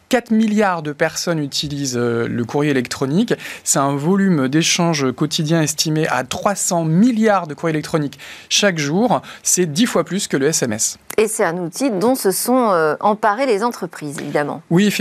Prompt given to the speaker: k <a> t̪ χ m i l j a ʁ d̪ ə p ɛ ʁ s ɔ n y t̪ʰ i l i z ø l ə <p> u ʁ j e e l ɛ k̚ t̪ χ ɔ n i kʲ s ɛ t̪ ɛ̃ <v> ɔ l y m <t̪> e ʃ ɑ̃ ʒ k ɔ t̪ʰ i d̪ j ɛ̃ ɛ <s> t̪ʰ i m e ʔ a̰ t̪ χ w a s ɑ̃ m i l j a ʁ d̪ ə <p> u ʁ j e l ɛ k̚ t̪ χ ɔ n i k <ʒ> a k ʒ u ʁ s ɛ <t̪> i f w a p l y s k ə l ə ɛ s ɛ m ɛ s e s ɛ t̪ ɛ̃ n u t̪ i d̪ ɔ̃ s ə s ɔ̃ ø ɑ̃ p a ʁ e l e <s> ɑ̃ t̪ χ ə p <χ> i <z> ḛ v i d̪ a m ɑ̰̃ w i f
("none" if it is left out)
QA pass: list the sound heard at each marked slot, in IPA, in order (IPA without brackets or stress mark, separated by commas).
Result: a, k, v, d̪, s, k, ʃ, d̪, z, χ, z